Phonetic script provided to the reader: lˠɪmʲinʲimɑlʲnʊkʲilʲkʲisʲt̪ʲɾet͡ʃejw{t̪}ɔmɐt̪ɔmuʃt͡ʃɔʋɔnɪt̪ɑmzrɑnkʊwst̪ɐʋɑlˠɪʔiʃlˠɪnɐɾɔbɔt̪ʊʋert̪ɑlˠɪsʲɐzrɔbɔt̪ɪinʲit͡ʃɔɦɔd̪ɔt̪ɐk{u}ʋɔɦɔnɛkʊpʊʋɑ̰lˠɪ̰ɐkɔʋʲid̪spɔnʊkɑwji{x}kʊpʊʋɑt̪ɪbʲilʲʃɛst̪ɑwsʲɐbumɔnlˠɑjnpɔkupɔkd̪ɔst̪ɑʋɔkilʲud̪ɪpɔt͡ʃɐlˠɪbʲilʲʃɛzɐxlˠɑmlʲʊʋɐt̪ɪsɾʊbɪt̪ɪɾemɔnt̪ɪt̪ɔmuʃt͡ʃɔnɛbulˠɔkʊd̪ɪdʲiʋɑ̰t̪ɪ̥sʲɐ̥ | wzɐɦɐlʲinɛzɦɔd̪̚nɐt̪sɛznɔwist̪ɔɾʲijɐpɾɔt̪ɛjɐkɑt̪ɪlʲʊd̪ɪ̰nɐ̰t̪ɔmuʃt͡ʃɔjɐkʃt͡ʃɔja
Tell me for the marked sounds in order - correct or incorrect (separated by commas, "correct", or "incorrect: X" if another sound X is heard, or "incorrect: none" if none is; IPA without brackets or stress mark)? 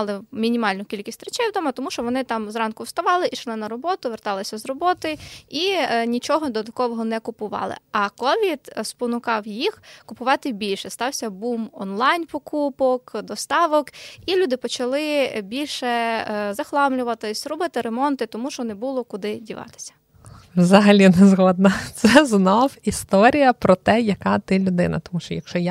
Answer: incorrect: d̪, incorrect: ɔ, correct